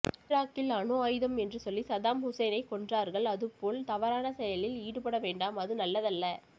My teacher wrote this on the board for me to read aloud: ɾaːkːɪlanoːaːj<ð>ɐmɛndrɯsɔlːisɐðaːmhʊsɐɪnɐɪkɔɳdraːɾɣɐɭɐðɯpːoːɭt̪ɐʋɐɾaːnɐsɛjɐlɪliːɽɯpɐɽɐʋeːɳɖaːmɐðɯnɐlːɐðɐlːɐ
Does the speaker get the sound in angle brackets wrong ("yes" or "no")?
no